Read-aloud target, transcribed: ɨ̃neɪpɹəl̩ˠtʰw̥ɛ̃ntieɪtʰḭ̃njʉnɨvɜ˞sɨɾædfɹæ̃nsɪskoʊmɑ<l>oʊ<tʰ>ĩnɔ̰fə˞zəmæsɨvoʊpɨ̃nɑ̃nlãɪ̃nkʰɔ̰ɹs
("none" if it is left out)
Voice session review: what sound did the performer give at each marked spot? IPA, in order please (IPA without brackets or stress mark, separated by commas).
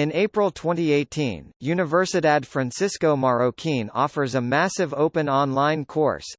ɹ, kʰ